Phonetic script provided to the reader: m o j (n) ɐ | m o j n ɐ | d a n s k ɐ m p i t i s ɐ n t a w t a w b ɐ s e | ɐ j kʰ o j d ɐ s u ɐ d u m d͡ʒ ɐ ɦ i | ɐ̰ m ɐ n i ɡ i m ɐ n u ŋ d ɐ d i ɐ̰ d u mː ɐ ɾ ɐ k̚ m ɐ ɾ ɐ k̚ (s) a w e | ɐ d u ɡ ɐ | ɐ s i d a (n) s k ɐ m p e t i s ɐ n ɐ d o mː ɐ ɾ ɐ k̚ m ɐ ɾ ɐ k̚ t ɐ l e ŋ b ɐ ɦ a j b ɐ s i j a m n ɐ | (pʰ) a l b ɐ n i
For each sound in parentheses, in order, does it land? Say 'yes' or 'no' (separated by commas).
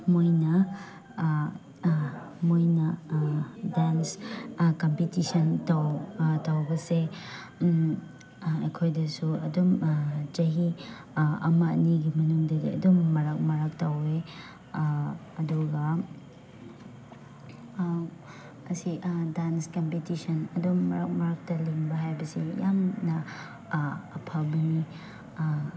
yes, no, yes, yes